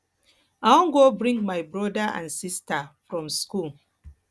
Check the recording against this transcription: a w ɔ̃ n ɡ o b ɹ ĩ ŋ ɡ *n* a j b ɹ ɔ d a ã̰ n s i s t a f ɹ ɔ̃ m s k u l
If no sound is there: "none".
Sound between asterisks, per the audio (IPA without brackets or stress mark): m